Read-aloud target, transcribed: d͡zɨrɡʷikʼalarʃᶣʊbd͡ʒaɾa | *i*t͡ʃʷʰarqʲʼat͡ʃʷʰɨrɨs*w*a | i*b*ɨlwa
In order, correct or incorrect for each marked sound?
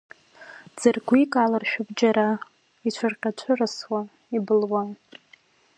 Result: correct, correct, correct

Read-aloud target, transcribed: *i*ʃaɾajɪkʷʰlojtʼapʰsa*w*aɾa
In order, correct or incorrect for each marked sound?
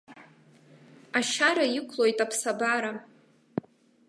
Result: incorrect: a, incorrect: b

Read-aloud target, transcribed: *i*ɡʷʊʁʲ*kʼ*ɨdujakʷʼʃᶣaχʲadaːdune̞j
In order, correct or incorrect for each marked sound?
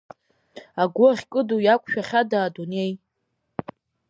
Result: incorrect: a, correct

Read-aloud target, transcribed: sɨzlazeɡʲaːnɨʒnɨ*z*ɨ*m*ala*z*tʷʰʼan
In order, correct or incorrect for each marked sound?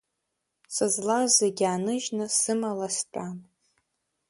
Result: incorrect: s, correct, incorrect: s

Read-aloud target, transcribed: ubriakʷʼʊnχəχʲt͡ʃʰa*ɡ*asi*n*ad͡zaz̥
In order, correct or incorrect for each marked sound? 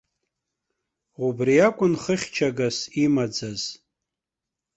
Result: correct, incorrect: m

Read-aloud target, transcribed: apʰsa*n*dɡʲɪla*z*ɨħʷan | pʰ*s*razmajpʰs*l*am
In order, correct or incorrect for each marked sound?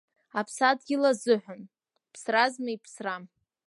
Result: incorrect: none, correct, correct, incorrect: r

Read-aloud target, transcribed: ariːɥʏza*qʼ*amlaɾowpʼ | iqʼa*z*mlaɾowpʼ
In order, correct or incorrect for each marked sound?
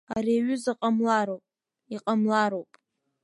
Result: correct, incorrect: none

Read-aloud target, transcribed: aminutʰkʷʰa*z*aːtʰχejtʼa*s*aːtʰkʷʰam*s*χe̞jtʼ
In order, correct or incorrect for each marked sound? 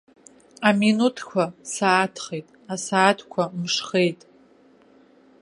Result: incorrect: s, correct, incorrect: ʂ

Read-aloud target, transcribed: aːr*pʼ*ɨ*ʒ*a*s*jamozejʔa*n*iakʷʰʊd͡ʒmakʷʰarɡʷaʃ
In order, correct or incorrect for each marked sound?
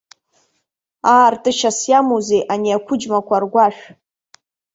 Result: incorrect: tʼ, incorrect: ʃ, correct, correct

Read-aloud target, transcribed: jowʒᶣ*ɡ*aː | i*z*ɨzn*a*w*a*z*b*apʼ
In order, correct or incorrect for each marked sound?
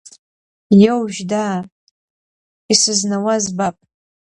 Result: incorrect: d, incorrect: s, correct, correct, correct

